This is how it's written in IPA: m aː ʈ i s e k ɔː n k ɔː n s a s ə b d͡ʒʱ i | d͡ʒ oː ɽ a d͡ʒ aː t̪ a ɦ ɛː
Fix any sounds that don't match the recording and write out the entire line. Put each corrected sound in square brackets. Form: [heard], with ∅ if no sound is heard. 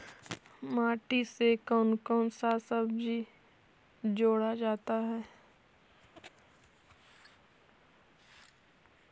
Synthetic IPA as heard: m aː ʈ i s e k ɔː n k ɔː n s a s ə b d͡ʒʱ i | d͡ʒ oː ɽ a d͡ʒ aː t̪ a ɦ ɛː